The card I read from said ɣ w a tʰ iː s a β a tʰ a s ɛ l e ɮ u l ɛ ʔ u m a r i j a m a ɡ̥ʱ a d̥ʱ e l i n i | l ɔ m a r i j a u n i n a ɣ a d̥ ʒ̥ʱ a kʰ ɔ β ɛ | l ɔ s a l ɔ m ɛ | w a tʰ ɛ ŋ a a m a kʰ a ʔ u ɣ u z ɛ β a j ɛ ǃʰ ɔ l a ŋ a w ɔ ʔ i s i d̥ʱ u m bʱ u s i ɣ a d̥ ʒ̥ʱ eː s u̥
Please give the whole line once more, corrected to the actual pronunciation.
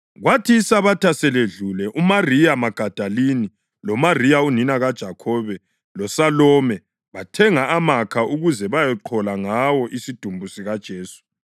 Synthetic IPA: ɣ w a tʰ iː s a β a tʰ a s ɛ l e ɮ u l ɛ ʔ u m a r i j a m a ɡ̥ʱ a d̥ʱ a l i n i | l ɔ m a r i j a u n i n a ɣ a d̥ ʒ̥ʱ a kʰ ɔ β ɛ | l ɔ s a l ɔ m ɛ | β a tʰ ɛ ŋ a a m a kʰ a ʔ u ɣ u z ɛ β a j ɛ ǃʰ ɔ l a ŋ a w ɔ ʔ i s i d̥ʱ u m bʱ u s i ɣ a d̥ ʒ̥ʱ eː s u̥